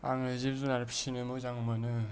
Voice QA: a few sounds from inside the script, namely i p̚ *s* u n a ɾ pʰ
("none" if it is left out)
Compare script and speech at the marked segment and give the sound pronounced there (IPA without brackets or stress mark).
z